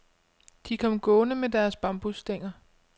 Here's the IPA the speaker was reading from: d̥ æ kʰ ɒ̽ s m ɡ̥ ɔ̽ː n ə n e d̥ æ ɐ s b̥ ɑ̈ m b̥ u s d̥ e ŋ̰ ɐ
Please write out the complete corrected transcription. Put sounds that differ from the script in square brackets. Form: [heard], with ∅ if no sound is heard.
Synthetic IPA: d̥ [i] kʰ ɒ̽ [∅] m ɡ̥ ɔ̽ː n ə [m] e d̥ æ ɐ s b̥ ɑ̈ m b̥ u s d̥ e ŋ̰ ɐ